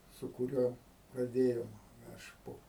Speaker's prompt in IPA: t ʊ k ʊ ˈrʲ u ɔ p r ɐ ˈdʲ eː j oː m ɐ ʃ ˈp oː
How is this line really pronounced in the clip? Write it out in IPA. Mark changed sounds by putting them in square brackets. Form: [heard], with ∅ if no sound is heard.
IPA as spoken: [s] ʊ k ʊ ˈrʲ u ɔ p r ɐ ˈdʲ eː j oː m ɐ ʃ ˈp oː